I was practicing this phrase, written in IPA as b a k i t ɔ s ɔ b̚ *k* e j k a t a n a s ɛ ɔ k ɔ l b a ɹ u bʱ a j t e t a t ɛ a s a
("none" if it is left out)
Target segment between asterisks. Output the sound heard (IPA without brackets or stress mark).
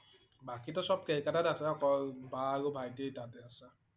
k